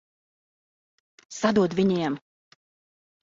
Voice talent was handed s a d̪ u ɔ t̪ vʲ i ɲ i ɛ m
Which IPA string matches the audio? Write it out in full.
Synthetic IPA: s a d̪ u ɔ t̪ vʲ i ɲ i ɛ m